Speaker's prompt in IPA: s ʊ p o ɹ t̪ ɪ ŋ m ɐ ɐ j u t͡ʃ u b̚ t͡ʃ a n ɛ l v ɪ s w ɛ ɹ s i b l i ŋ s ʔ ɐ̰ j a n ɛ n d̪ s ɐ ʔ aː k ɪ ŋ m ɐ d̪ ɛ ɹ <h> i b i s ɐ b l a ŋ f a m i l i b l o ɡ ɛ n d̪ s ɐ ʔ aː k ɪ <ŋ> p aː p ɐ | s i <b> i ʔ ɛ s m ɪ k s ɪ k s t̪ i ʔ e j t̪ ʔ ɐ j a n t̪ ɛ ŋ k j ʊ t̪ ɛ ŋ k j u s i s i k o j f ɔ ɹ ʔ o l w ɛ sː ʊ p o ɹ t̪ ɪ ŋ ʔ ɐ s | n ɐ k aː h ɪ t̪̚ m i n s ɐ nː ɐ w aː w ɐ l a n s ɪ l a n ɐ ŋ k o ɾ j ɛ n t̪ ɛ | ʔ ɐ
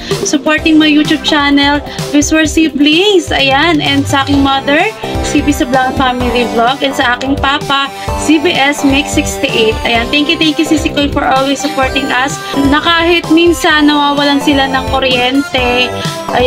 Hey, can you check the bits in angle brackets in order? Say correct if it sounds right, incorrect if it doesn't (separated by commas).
incorrect, correct, correct